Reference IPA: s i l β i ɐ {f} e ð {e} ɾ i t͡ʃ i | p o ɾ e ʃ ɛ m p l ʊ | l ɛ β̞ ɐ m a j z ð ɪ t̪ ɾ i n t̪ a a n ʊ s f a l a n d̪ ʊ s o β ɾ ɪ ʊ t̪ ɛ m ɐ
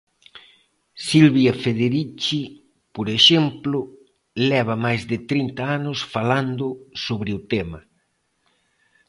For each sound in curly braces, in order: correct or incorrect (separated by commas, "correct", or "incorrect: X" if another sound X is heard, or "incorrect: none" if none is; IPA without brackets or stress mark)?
correct, correct